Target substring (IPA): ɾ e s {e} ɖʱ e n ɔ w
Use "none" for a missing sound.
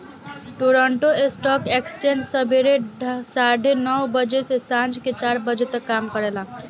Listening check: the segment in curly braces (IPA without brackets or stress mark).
a